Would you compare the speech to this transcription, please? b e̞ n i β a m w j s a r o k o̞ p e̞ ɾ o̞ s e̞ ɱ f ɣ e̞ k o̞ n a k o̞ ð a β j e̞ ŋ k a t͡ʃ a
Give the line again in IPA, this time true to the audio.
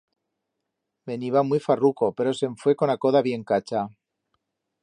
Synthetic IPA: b e̞ n i β a m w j f a r u k o̞ p e̞ ɾ o̞ s e̞ ɱ f w e̞ k o̞ n a k o̞ ð a β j e̞ ŋ k a t͡ʃ a